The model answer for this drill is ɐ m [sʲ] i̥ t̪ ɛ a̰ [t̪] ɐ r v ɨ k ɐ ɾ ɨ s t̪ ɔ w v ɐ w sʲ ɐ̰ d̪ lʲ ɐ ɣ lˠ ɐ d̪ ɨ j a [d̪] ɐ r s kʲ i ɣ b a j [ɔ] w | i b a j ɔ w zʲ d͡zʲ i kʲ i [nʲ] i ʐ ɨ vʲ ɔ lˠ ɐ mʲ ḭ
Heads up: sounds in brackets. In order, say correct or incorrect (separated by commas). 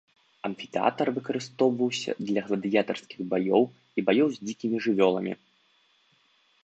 incorrect, correct, incorrect, correct, incorrect